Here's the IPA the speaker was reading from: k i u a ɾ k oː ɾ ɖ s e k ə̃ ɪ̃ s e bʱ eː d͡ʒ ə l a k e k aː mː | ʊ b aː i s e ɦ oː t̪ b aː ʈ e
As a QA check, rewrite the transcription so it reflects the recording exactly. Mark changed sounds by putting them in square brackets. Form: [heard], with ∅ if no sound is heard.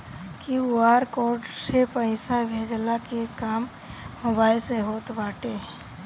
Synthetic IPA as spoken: k i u a ɾ k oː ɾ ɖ s e [p] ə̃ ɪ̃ s [a] bʱ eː d͡ʒ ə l a k e k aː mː | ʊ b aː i s e ɦ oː t̪ b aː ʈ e